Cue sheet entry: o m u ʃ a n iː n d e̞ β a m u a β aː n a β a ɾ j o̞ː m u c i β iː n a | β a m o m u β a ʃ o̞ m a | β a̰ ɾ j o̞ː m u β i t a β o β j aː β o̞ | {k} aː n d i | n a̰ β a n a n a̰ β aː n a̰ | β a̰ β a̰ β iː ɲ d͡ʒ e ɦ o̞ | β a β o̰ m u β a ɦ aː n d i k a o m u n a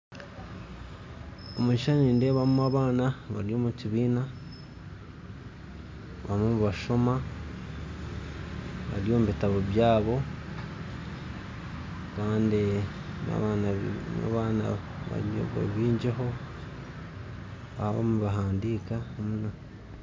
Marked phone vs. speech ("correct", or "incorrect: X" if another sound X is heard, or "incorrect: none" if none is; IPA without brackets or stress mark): correct